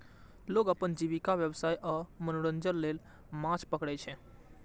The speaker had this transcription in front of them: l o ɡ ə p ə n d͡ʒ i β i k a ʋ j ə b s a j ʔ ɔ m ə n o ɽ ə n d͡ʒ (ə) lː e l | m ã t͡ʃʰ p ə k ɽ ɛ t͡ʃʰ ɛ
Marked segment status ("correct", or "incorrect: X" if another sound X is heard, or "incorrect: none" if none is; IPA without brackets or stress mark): correct